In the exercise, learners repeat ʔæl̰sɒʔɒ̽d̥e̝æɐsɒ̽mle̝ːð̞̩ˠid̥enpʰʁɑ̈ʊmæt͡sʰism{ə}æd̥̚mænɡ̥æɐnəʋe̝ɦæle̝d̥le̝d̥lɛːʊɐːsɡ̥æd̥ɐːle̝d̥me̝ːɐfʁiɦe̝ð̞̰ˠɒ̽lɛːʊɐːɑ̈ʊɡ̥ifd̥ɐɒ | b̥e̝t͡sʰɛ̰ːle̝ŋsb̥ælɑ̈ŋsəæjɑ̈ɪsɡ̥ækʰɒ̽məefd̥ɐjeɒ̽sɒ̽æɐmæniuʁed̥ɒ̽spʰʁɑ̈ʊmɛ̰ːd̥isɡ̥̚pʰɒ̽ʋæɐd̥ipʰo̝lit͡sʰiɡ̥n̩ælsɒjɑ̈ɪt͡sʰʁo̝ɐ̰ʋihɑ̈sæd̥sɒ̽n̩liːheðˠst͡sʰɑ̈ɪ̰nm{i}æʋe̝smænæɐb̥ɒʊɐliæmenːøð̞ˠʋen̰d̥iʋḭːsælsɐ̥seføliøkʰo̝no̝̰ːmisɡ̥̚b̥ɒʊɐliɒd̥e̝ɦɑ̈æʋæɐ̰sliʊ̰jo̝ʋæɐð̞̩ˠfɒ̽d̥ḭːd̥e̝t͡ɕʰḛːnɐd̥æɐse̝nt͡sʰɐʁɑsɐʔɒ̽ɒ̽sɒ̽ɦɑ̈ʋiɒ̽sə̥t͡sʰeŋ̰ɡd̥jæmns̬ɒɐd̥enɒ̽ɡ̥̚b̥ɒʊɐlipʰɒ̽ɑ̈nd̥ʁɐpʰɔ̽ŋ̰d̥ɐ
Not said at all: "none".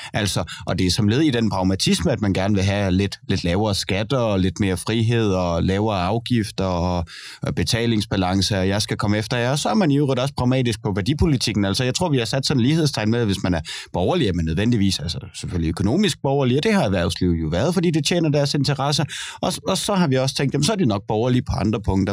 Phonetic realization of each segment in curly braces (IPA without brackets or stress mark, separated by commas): ə, e